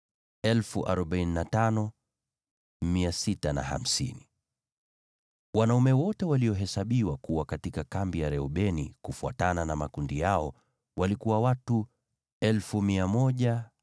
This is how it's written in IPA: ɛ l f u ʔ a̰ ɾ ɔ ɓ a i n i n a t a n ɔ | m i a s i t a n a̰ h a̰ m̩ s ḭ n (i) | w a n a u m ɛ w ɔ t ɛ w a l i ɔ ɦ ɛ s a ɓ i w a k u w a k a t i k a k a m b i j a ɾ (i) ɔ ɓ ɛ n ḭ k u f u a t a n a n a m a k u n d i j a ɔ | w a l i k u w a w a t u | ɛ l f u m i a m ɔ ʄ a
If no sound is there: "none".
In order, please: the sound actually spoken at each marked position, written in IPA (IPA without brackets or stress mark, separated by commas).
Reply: i, ɛ